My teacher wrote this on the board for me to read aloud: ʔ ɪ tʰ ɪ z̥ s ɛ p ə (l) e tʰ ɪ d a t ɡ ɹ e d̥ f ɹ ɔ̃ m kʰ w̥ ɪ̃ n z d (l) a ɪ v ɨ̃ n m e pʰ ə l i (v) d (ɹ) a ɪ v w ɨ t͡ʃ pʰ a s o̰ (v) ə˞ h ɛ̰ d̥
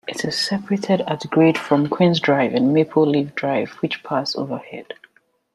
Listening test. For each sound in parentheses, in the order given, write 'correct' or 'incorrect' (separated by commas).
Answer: incorrect, incorrect, correct, correct, correct